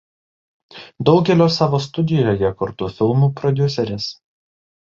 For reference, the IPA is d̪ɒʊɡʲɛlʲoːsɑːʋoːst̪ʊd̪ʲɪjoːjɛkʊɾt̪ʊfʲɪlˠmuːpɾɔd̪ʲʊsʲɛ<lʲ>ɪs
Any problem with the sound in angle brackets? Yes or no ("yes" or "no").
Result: yes